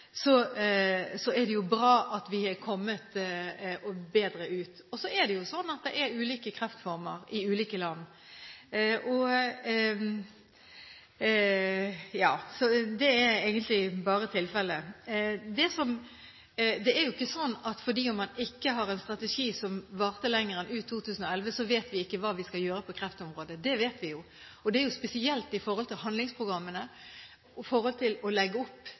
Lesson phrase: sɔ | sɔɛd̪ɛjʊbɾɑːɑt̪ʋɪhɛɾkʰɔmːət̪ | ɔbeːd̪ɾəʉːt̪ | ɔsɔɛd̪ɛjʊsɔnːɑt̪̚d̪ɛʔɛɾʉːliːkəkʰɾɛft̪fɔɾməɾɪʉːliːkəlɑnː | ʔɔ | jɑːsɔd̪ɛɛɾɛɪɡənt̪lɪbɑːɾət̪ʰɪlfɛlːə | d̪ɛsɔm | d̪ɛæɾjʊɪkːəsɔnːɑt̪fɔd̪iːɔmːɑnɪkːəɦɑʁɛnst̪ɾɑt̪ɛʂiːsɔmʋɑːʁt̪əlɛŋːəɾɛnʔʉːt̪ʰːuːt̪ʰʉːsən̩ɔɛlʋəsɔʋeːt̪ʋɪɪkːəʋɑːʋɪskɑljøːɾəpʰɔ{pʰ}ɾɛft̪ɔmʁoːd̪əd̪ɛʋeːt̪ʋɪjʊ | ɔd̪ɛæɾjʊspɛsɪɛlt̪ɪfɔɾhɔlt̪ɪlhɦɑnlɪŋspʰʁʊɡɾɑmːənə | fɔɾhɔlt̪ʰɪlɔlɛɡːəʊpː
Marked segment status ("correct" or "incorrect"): incorrect